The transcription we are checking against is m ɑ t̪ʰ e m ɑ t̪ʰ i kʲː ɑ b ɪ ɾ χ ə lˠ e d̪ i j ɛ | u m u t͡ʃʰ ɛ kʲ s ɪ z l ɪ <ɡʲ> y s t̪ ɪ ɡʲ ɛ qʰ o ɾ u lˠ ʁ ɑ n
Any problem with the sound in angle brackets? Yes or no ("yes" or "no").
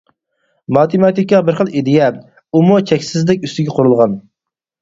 yes